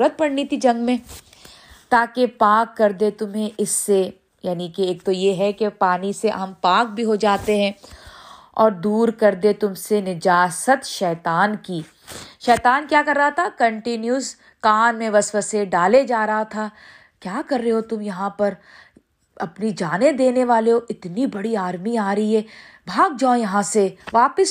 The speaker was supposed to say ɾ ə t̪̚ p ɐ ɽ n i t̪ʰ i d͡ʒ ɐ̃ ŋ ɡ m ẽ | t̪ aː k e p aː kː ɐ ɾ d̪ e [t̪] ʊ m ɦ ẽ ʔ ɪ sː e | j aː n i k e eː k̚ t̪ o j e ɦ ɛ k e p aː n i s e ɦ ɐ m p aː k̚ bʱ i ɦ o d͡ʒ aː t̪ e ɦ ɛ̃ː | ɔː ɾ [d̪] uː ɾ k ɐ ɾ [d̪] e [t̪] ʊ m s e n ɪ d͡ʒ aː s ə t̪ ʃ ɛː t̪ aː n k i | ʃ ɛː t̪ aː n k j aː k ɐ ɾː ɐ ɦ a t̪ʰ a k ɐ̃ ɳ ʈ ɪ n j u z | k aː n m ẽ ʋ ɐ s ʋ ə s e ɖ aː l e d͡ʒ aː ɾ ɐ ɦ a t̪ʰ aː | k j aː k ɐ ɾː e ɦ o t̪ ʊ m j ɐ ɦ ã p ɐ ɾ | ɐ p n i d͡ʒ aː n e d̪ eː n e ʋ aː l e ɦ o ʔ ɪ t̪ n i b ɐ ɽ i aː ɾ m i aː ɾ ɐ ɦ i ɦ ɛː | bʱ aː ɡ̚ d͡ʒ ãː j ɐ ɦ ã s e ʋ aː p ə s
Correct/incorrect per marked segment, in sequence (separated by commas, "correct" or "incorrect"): correct, correct, correct, correct